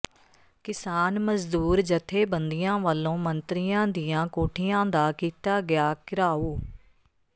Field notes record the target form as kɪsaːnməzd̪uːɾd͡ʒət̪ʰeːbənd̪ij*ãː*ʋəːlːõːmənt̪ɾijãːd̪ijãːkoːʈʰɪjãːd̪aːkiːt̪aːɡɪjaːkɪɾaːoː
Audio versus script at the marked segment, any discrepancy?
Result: no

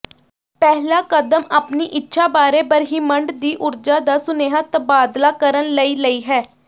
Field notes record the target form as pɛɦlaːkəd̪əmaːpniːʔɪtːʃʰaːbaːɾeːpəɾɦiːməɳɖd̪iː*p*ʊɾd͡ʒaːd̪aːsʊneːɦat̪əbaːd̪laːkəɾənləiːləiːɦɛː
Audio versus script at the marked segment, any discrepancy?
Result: yes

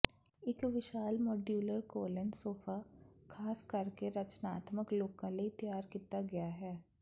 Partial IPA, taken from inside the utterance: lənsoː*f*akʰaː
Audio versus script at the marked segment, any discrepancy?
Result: no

